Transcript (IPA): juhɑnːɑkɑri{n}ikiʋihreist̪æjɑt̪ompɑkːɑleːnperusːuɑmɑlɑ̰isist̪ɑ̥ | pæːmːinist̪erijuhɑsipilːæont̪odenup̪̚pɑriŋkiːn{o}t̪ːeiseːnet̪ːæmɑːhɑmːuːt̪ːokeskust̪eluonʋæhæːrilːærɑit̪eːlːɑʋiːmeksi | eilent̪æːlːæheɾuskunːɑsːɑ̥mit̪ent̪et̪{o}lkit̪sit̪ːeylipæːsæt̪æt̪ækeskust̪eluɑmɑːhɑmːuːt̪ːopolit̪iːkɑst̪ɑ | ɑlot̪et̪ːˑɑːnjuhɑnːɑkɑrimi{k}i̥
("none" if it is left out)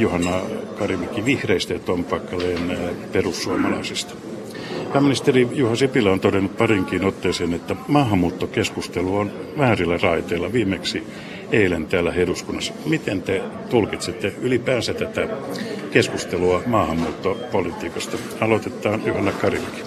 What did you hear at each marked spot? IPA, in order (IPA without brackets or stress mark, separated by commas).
m, o, u, k